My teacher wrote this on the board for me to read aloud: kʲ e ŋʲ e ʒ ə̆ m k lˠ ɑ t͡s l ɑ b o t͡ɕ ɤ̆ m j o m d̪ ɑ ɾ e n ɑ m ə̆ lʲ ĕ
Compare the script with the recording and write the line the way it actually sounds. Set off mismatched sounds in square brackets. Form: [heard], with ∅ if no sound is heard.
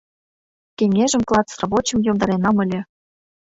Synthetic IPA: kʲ e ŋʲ e ʒ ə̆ m k lˠ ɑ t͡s [r] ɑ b o t͡ɕ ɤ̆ m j o m d̪ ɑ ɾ e n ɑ m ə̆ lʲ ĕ